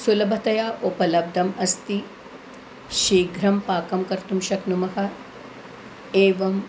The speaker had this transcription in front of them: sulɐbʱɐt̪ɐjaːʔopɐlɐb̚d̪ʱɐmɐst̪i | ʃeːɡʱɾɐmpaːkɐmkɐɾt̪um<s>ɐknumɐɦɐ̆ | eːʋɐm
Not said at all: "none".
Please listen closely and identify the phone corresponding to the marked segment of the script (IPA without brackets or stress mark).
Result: ʃ